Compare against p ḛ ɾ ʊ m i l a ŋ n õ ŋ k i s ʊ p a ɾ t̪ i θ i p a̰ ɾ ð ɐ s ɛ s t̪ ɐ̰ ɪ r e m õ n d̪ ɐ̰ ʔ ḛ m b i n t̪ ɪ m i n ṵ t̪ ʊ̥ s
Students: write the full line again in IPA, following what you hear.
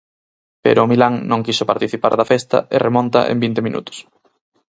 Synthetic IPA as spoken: p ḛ ɾ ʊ m i l a ŋ n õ ŋ k i s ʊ p a ɾ t̪ i θ i p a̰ ɾ ð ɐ f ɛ s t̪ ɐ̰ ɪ r e m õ n t̪ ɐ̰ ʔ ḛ m b i n t̪ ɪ m i n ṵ t̪ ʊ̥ s